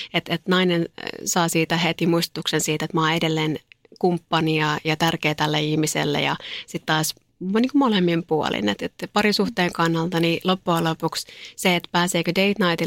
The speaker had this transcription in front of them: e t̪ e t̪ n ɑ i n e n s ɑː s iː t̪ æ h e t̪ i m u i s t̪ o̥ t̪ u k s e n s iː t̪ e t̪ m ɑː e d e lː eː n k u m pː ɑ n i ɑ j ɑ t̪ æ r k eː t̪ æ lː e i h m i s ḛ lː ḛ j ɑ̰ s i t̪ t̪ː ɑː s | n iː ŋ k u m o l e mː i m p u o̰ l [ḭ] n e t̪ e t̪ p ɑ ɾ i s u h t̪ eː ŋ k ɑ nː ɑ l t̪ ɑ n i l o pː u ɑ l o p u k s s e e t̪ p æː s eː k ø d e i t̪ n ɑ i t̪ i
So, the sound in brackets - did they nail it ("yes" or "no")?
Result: yes